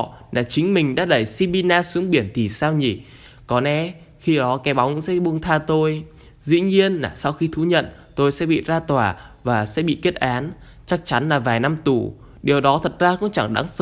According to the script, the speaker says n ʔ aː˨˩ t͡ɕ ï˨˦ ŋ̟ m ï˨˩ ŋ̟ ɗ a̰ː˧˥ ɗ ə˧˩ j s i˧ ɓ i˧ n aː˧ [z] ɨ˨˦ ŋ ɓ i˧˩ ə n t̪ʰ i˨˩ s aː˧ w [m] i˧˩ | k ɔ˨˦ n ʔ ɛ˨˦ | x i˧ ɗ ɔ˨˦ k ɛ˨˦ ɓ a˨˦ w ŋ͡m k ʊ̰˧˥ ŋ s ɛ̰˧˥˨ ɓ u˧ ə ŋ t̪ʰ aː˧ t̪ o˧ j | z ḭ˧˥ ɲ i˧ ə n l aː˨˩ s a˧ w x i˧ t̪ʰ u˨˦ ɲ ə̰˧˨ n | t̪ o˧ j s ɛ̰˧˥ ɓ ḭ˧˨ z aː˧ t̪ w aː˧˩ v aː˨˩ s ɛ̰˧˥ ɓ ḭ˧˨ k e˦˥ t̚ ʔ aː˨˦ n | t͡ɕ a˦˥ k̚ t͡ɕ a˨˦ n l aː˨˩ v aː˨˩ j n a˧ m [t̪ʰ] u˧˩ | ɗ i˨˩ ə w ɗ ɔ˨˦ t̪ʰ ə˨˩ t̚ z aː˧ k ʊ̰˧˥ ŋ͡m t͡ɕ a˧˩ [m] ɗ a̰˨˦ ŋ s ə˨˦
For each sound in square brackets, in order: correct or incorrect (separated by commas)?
incorrect, incorrect, incorrect, incorrect